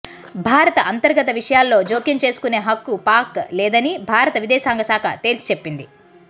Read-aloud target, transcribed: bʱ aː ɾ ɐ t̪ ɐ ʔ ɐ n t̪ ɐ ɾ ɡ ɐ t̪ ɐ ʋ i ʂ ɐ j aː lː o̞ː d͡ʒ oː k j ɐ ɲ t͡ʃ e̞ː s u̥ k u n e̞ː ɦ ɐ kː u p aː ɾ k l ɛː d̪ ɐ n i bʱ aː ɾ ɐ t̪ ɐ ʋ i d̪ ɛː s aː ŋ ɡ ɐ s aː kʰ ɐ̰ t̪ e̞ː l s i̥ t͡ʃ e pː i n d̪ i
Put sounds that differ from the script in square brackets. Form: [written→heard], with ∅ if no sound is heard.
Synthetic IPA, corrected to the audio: bʱ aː ɾ ɐ t̪ ɐ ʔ ɐ n t̪ ɐ ɾ ɡ ɐ t̪ ɐ ʋ i ʂ ɐ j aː lː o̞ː d͡ʒ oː k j ɐ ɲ t͡ʃ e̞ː s u̥ k u n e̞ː ɦ ɐ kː u p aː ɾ k l ɛː d̪ ɐ n i bʱ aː ɾ ɐ t̪ ɐ ʋ i d̪ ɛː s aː ŋ ɡ ɐ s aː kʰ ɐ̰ t̪ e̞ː l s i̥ t͡ʃ e pː i n d̪ i